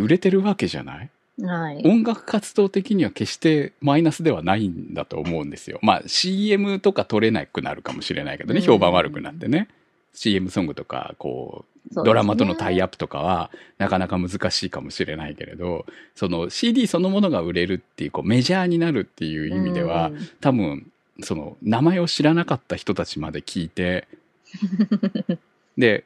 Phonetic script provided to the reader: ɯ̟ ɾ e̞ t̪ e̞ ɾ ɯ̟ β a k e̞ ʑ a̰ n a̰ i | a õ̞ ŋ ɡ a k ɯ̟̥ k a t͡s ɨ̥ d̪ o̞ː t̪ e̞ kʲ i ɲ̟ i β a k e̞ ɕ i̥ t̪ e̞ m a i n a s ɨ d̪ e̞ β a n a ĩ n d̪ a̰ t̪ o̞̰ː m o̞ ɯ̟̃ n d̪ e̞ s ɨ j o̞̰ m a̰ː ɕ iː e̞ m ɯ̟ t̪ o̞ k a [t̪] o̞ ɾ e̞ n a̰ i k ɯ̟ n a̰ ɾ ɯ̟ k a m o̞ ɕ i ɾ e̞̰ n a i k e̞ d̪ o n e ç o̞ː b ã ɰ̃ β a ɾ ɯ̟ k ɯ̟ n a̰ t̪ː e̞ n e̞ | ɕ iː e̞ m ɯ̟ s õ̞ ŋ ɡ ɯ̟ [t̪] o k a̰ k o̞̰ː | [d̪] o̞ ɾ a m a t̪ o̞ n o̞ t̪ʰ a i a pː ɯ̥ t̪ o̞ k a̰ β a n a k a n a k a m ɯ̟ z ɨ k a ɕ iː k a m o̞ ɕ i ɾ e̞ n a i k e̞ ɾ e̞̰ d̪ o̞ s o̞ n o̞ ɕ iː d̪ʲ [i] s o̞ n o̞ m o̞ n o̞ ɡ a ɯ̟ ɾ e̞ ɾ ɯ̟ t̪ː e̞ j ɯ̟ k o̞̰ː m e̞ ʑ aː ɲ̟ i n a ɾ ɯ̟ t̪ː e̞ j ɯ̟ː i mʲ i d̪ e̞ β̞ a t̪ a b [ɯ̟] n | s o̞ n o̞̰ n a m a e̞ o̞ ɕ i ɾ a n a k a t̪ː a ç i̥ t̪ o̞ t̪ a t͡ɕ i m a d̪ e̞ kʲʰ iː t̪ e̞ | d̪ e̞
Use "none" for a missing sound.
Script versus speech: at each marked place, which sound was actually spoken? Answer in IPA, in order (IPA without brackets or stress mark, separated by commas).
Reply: t̪, t̪, d̪, iː, ɯ̟̃